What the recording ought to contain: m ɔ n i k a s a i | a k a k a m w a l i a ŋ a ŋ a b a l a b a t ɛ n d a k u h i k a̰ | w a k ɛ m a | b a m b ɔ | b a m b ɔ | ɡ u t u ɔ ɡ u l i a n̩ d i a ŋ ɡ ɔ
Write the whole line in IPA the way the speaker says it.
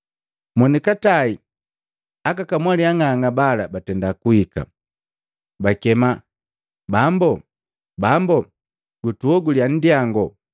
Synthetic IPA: m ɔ n i k a t a i | a k a k a m w a l i a ŋ a ŋ a b a l a b a t ɛ n d a k u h i k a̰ | b a k ɛ m a | b a m b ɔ | b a m b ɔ | ɡ u t u ɔ ɡ u l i a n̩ d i a ŋ ɡ ɔ